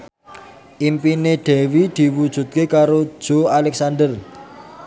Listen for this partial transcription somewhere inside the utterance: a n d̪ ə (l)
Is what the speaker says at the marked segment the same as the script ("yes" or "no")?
no